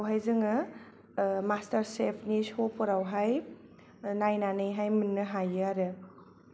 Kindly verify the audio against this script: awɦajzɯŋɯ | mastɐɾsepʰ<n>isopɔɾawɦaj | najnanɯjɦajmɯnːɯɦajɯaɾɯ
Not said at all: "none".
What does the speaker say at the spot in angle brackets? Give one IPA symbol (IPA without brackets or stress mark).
n